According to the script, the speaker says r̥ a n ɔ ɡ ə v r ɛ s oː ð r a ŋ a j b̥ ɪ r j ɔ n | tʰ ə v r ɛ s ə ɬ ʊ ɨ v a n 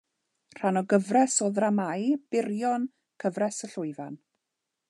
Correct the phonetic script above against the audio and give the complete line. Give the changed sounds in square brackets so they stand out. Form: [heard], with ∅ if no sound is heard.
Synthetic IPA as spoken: r̥ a n ɔ ɡ ə v r ɛ s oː ð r a [m] a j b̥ ɪ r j ɔ n | [kʰ] ə v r ɛ s ə ɬ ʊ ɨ v a n

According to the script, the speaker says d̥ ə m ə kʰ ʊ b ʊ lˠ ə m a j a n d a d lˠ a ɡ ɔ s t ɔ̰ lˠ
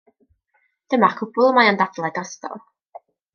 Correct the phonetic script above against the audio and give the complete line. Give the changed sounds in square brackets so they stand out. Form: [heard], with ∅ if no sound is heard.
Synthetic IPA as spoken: d̥ ə m [a] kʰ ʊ b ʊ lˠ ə m a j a n d a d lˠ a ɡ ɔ s t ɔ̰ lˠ

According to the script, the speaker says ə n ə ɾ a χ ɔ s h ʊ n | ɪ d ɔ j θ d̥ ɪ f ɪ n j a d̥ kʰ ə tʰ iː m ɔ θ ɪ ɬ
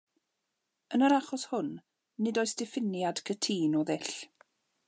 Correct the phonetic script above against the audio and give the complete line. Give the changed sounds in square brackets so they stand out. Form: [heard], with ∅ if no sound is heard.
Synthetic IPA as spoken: ə n ə ɾ a χ ɔ s h ʊ [nː] | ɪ d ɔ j [s] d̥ ɪ f ɪ n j a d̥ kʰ ə tʰ iː [n] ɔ [ð] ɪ ɬ

